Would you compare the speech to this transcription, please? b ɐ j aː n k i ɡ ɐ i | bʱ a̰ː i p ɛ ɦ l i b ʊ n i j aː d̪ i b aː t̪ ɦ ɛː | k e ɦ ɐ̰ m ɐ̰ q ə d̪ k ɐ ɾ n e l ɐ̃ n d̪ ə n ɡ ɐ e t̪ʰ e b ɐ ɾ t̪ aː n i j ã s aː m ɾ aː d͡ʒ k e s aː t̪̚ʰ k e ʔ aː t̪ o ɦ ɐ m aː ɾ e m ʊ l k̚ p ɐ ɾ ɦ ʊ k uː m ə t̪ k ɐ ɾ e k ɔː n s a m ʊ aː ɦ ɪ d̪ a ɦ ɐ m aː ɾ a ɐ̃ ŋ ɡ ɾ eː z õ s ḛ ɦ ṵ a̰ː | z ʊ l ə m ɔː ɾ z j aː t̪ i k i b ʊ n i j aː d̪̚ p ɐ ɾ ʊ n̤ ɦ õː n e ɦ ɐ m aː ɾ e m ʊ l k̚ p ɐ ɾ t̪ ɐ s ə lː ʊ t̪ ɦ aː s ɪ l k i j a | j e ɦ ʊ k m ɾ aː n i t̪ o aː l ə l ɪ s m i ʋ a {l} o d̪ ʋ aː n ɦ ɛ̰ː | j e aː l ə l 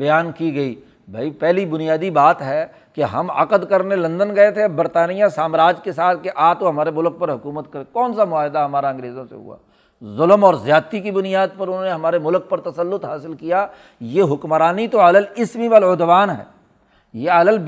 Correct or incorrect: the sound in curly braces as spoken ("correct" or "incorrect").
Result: correct